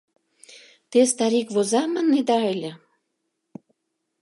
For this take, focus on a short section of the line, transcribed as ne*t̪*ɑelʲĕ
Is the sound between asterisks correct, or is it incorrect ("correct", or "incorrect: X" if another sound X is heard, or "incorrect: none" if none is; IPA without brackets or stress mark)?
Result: incorrect: d̪